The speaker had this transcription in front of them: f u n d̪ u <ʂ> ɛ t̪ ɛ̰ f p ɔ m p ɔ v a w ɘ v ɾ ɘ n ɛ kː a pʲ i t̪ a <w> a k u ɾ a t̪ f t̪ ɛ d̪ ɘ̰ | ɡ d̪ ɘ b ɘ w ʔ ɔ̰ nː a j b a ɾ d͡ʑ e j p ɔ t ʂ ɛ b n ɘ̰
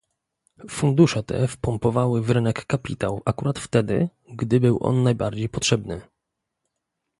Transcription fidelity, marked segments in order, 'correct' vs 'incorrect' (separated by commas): correct, correct